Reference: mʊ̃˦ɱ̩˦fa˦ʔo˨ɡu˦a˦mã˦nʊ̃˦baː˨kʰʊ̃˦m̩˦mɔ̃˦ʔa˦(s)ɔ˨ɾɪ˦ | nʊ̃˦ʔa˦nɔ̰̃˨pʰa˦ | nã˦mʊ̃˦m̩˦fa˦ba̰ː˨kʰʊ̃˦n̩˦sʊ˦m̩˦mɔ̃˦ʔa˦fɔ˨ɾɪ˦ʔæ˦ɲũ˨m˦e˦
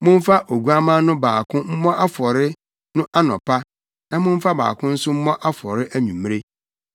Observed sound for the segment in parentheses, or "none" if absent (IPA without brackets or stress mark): f